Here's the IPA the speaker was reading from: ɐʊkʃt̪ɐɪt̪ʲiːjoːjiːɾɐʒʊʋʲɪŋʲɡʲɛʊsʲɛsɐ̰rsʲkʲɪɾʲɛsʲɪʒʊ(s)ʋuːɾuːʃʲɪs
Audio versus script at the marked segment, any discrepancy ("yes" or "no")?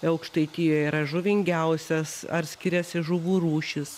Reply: yes